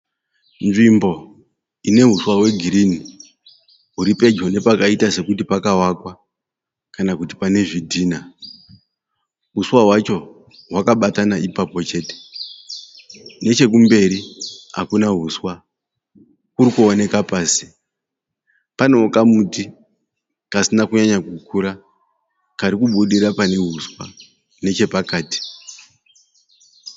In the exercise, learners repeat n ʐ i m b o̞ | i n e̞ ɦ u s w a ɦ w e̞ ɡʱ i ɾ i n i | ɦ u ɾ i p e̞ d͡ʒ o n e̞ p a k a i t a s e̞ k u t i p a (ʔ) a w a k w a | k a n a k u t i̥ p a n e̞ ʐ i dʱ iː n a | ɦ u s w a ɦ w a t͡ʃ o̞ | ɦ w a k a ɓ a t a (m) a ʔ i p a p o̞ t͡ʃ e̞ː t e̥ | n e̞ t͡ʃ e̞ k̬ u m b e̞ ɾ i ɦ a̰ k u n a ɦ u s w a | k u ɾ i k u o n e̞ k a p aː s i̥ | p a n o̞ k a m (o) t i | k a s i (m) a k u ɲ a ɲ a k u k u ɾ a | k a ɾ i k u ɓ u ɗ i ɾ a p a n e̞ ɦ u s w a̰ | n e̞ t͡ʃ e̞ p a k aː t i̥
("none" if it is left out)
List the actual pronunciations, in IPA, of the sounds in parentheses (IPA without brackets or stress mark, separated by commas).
k, n, u, n